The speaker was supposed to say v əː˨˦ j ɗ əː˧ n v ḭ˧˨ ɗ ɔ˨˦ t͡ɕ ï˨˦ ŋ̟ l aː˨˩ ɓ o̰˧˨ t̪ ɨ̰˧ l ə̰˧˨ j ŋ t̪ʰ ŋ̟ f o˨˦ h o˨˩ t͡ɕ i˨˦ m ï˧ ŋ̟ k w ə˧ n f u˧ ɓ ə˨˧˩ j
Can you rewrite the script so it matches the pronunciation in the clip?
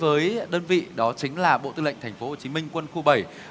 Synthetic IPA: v əː˨˦ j ɗ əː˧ n v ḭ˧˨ ɗ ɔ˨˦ t͡ɕ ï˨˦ ŋ̟ l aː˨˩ ɓ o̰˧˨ t̪ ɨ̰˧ l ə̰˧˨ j ŋ t̪ʰ ŋ̟ f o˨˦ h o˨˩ t͡ɕ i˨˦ m ï˧ ŋ̟ k w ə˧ n x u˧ ɓ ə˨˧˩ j